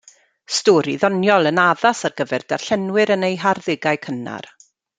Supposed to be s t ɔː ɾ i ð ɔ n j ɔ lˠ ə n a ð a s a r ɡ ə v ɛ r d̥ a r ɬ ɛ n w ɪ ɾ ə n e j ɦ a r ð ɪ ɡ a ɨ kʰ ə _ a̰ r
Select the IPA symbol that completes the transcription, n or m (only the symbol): n